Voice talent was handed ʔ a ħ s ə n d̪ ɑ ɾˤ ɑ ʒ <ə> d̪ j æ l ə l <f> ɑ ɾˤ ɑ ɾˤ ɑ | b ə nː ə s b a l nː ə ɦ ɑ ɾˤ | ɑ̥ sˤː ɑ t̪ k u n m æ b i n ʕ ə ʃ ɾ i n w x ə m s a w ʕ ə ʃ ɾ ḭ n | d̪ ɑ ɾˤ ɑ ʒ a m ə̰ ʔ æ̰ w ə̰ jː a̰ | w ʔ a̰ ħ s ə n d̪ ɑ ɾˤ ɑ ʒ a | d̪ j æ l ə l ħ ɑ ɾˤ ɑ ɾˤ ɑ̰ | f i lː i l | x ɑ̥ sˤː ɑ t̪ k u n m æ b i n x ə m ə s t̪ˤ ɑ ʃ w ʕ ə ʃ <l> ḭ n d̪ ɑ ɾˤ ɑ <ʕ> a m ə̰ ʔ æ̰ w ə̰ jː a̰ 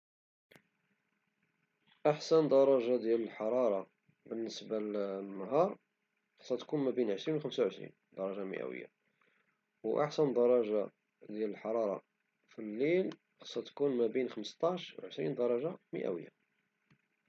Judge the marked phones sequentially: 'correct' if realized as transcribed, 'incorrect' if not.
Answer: incorrect: a, incorrect: ħ, incorrect: ɾ, incorrect: ʒ

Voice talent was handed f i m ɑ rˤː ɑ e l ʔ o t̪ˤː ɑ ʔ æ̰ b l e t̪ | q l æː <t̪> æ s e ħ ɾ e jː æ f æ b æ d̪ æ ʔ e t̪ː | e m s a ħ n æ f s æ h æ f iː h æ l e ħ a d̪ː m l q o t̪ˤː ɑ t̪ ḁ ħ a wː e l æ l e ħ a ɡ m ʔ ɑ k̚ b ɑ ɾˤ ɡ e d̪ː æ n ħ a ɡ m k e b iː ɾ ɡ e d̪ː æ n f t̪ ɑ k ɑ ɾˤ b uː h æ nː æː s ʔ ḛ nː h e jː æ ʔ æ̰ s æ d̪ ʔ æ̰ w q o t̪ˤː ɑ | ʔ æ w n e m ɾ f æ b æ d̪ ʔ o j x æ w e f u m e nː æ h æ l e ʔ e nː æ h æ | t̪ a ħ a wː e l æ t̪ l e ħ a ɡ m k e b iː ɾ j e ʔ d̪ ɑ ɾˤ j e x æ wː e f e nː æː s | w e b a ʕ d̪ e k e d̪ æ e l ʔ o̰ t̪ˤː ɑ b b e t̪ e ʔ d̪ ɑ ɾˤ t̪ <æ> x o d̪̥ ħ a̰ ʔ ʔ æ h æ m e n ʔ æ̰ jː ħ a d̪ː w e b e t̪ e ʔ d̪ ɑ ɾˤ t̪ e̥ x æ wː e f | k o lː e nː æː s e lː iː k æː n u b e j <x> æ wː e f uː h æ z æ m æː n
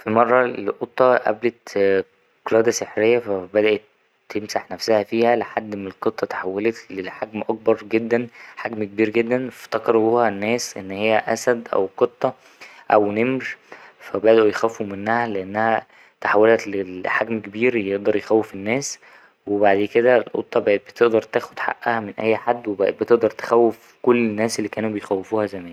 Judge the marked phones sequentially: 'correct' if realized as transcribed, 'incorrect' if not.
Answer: incorrect: d̪, incorrect: æː, correct

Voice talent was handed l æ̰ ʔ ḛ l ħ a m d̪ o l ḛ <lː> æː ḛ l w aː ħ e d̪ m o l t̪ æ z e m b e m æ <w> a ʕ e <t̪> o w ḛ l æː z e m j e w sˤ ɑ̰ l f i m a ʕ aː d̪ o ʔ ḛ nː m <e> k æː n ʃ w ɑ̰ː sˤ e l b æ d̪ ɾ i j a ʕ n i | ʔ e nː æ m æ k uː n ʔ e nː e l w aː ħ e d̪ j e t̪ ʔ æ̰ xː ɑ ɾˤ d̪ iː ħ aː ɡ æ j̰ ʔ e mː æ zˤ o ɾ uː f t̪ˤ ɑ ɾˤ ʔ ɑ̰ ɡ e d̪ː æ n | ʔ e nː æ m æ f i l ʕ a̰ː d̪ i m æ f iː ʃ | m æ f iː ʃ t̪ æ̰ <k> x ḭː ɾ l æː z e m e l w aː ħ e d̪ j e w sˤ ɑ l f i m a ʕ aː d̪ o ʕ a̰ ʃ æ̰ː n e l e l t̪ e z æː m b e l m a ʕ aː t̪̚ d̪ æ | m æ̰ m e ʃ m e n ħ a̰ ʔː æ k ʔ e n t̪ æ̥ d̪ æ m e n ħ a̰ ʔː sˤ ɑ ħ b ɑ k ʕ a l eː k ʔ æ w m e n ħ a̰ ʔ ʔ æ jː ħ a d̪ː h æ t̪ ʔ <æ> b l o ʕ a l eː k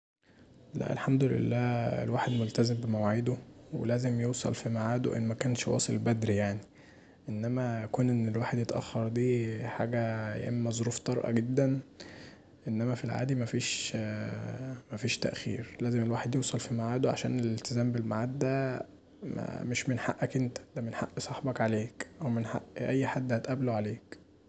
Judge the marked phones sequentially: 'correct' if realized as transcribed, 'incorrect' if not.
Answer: correct, correct, incorrect: d̪, incorrect: æ, incorrect: ʔ, correct

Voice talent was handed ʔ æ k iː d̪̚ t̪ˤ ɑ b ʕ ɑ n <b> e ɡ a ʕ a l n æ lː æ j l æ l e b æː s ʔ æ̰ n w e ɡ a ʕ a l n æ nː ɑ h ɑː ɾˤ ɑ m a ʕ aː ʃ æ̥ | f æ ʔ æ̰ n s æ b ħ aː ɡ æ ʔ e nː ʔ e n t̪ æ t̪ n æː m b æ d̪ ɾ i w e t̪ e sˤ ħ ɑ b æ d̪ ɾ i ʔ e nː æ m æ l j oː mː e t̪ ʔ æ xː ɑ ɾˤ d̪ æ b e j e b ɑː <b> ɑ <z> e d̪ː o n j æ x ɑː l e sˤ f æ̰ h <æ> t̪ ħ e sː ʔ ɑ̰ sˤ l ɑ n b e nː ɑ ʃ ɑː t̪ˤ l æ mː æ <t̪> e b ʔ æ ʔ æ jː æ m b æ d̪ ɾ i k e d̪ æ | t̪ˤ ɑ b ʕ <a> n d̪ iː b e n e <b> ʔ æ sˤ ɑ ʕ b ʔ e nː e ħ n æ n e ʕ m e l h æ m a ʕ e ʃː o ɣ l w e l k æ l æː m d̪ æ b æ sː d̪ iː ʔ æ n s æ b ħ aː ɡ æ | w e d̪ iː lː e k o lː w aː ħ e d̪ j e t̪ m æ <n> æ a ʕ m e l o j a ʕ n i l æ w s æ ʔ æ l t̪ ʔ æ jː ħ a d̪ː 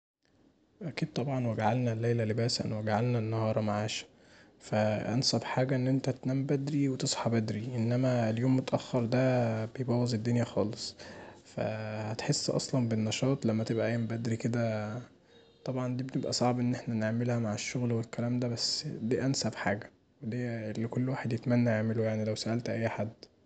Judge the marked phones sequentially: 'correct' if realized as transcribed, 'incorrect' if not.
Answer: incorrect: w, incorrect: w, correct, correct, correct, incorrect: ɑ, correct, incorrect: nː

